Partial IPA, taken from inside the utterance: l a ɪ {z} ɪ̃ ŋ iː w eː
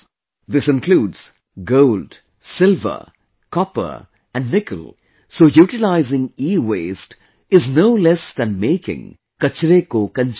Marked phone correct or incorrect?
correct